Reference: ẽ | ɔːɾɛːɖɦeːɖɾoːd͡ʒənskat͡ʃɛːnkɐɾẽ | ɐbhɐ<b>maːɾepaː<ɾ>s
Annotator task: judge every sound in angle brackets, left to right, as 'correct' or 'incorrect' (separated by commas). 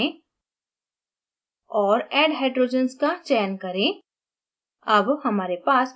incorrect, incorrect